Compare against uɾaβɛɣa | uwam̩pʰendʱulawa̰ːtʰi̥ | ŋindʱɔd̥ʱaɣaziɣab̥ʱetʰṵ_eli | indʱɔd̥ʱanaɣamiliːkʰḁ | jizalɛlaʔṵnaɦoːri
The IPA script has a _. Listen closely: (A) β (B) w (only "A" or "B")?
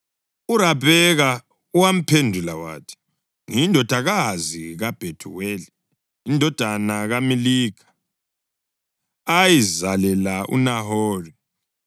B